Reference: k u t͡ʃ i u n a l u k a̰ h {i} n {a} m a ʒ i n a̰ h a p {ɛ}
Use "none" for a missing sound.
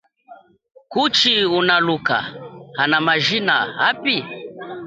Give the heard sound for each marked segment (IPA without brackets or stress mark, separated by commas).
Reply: a, a, i